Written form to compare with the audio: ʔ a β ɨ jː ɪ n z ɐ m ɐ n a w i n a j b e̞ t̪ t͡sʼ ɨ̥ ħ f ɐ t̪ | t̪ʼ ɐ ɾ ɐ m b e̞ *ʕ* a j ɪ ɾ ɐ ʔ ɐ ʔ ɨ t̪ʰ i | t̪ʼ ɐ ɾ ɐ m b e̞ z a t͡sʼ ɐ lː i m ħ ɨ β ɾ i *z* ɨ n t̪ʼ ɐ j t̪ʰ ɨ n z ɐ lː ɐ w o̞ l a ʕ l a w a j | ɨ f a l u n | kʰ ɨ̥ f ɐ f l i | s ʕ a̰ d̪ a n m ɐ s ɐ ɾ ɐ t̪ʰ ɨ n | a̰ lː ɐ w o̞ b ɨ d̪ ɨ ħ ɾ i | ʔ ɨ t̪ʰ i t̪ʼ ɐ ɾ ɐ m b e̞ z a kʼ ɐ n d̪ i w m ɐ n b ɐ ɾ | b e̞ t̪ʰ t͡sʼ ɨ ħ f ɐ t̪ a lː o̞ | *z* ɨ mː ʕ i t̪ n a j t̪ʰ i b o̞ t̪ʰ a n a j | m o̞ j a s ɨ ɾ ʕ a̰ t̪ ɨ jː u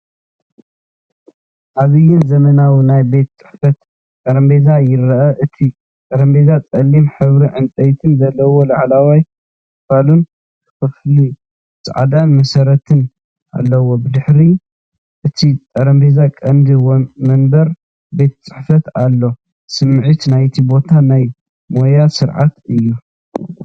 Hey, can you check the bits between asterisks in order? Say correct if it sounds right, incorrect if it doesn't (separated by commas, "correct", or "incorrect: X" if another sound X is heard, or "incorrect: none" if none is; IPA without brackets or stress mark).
incorrect: z, incorrect: ʕ, incorrect: s